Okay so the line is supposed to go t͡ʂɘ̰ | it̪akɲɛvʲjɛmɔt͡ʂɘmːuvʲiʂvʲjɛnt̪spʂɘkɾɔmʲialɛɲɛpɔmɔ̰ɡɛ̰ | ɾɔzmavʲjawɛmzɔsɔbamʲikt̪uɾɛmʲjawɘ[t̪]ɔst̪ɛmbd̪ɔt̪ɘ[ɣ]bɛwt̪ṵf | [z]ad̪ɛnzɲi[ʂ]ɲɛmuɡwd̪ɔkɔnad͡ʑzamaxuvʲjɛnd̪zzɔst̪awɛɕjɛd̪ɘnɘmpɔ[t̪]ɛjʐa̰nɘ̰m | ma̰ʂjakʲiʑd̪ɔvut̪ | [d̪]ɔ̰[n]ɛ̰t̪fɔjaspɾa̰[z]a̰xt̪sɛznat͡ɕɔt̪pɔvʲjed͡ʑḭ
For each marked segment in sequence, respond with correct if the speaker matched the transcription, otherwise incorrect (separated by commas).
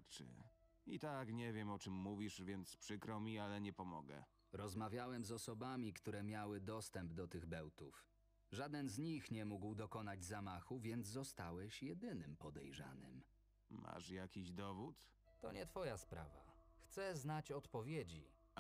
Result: incorrect, correct, incorrect, incorrect, incorrect, incorrect, incorrect, incorrect